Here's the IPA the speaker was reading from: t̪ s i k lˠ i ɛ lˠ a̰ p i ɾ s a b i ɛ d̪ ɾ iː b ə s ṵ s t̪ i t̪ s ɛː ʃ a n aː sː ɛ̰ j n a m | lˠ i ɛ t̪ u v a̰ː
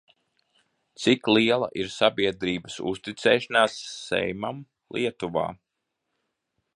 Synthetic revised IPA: t̪ s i k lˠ i ɛ lˠ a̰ ʔ i ɾ s a b i ɛ d̪ ɾ iː b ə s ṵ s t̪ i t̪ s ɛː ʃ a n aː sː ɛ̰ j m a m | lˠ i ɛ t̪ u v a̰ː

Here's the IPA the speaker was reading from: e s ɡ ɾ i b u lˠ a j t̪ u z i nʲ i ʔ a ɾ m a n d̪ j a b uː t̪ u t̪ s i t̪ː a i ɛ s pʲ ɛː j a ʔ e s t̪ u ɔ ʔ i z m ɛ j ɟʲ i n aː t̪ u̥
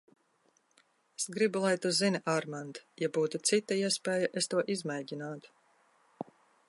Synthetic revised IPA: e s ɡ ɾ i b u lˠ a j t̪ u z i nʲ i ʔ a ɾ m a n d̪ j a b uː t̪ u t̪ s i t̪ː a i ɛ s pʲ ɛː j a ʔ e s t̪ u ɔ ʔ i z m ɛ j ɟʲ i n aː t̪ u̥

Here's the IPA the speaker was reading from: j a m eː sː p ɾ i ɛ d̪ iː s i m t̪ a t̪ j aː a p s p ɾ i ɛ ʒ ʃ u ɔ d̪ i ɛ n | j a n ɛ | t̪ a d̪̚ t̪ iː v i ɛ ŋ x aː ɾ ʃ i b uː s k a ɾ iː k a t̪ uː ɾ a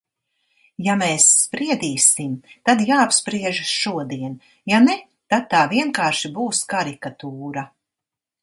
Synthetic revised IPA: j a m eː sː p ɾ i ɛ d̪ iː s i m t̪ a d̪ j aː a p s p ɾ i ɛ ʒ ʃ u ɔ d̪ i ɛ n | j a n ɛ | t̪ a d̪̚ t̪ aː v i ɛ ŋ k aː ɾ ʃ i b uː s k a ɾ i k a t̪ uː ɾ a

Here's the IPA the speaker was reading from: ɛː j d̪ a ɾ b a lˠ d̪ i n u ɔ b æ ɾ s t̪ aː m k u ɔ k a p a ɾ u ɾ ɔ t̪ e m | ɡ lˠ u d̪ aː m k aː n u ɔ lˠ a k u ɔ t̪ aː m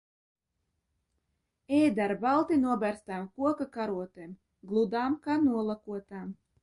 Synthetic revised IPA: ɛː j d̪ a ɾ b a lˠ t̪ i n u ɔ b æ ɾ s t̪ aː m k u ɔ k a k a ɾ u ɔ t̪ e m | ɡ lˠ u d̪ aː m k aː n u ɔ lˠ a k u ɔ t̪ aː m

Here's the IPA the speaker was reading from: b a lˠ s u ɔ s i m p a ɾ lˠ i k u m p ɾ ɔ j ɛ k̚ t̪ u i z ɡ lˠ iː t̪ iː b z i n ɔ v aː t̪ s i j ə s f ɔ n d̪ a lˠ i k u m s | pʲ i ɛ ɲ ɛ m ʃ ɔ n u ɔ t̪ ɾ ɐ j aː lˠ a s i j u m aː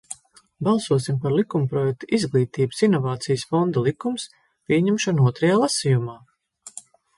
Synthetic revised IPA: b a lˠ s u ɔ s i m p a ɾ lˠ i k u m p ɾ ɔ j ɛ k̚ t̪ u i z ɡ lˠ iː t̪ iː b s i n ɔ v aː t̪ s i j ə s f ɔ n d̪ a lˠ i k u m s | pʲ i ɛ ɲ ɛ m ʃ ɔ n u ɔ t̪ ɾ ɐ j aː lˠ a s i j u m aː

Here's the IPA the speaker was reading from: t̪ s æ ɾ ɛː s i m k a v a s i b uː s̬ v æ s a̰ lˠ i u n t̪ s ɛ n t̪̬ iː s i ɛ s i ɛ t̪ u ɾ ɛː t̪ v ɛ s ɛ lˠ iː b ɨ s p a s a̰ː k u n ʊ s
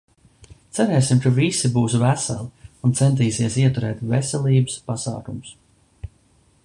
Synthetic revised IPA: t̪ s æ ɾ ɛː s i m k a v i s i b uː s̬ v æ s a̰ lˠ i u n t̪ s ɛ n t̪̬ iː s i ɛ s i ɛ t̪ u ɾ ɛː t̪ v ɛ s ɛ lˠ iː b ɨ s p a s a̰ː k u m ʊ s

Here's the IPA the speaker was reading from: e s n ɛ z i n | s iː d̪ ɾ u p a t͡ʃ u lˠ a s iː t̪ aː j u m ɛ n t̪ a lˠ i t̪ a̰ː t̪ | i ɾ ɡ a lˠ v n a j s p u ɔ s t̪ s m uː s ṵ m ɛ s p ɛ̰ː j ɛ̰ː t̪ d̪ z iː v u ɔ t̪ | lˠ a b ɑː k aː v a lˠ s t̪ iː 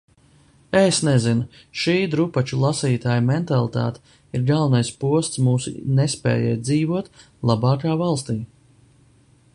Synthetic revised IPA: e s n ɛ z i n | ʃ iː d̪ ɾ u p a t͡ʃ u lˠ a s iː t̪ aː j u m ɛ n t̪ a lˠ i t̪ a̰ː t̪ | i ɾ ɡ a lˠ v n a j s p u ɔ s t̪ s m uː s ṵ n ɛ s p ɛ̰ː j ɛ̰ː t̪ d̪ z iː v u ɔ t̪ | lˠ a b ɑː k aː v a lˠ s t̪ iː

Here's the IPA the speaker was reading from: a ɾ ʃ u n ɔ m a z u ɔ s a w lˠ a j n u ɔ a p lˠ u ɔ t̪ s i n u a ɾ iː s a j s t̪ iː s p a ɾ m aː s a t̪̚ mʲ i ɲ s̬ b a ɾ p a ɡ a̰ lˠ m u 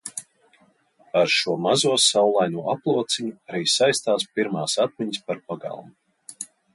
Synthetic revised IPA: a ɾ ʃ u ɔ m a z u ɔ s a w lˠ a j n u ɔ a p lˠ u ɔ t̪ s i ɲ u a ɾ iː s a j s t̪ aː s p i ɾ m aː s a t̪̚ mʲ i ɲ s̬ p a ɾ p a ɡ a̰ lˠ m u

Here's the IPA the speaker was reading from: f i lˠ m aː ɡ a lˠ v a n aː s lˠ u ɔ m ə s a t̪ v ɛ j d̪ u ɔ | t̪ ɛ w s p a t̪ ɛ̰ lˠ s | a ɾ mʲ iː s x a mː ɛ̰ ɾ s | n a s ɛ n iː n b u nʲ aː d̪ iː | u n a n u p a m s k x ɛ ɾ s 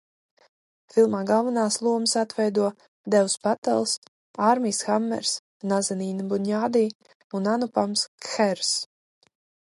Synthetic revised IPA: f i lˠ m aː ɡ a lˠ v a n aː s lˠ u ɔ m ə s a t̪ v ɛ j d̪ u ɔ | d̪ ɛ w s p a t̪ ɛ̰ lˠ s | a ɾ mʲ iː s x a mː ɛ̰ ɾ s | n a z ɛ n iː n b u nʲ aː d̪ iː | u n a n u p a m s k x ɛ ɾ s

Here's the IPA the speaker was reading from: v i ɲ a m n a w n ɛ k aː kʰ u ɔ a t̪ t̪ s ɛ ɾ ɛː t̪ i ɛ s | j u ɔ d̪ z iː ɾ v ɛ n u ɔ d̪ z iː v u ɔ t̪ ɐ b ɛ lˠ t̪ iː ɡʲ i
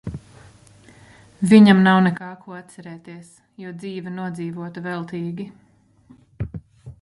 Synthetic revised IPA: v i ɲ a m n a w n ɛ k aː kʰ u ɔ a t̪ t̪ s ɛ ɾ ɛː t̪ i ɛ s | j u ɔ d̪ z iː v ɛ n u ɔ d̪ z iː v u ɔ t̪ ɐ v ɛ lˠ t̪ iː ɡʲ i

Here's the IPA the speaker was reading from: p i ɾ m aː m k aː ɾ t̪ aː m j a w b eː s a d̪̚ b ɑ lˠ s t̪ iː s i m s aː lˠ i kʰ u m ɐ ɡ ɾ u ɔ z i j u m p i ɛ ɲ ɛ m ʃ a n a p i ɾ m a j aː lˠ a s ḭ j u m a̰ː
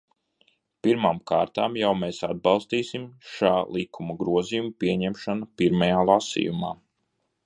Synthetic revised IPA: p i ɾ m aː m k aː ɾ t̪ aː m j a w m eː s a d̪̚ b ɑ lˠ s t̪ iː s i m ʃ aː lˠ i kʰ u m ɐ ɡ ɾ u ɔ z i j u m p i ɛ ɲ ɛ m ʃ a n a p i ɾ m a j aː lˠ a s ḭ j u m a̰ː

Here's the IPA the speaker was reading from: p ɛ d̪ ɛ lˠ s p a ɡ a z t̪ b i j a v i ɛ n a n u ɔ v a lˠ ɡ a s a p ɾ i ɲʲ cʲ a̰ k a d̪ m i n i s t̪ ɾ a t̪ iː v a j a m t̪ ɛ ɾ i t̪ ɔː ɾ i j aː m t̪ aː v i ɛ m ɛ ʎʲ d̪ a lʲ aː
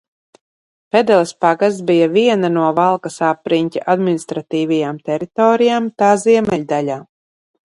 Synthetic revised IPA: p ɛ d̪ ɛ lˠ s p a ɡ a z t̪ b i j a v i ɛ n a n u ɔ v a lˠ k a s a p ɾ i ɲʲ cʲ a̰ ʔ a d̪ m i n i s t̪ ɾ a t̪ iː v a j a m t̪ ɛ ɾ i t̪ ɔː ɾ i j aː m t̪ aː z i ɛ m ɛ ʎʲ d̪ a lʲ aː

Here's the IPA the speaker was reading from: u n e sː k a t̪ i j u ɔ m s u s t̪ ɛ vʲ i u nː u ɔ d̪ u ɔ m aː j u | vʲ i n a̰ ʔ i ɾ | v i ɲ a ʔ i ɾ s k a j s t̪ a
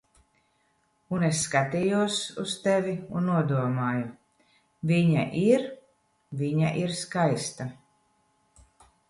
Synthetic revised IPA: u n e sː k a t̪ i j u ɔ s u s t̪ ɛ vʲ i u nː u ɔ d̪ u ɔ m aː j u | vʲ i ɲ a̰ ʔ i ɾ | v i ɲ a ʔ i ɾ s k a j s t̪ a

